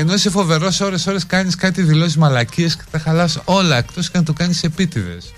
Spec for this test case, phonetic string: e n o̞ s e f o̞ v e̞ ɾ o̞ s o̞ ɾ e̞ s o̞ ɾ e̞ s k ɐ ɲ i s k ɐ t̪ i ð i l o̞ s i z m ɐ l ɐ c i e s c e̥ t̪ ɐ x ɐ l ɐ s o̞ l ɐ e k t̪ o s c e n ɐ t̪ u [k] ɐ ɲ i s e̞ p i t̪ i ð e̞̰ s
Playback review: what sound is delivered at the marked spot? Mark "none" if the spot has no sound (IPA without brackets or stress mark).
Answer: k